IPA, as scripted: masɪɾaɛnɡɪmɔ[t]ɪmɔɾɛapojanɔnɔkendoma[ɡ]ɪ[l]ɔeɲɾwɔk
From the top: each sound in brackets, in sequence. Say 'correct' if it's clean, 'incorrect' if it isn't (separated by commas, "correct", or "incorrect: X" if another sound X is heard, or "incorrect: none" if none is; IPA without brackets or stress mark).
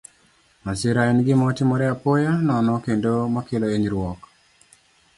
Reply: correct, incorrect: k, correct